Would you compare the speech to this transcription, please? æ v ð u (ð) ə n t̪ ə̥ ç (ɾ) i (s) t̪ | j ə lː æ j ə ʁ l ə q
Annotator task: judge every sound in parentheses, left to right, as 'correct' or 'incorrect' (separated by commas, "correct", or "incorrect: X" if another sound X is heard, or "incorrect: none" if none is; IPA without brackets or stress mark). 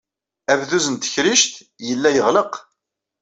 incorrect: z, correct, incorrect: ʃ